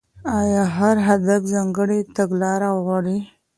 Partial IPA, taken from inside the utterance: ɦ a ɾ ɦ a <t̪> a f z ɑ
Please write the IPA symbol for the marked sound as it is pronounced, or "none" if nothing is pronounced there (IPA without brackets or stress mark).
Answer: d̪